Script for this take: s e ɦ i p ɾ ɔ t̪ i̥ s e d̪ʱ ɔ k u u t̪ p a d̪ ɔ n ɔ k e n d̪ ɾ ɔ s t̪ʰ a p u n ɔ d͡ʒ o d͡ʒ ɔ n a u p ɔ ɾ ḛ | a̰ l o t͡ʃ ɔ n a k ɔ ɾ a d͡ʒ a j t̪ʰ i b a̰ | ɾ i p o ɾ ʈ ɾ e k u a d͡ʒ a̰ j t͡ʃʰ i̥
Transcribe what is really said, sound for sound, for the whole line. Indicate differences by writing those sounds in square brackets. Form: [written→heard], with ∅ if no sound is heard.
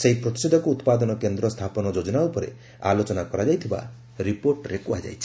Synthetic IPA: s e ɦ i p ɾ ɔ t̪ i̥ s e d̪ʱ ɔ k u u t̪ p a d̪ ɔ n ɔ k e n d̪ ɾ ɔ s t̪ʰ a p [u→ɔ] n ɔ d͡ʒ o d͡ʒ ɔ n a u p ɔ ɾ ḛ | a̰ l o t͡ʃ ɔ n a k ɔ ɾ a d͡ʒ a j t̪ʰ i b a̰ | ɾ i p o ɾ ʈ ɾ e k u a d͡ʒ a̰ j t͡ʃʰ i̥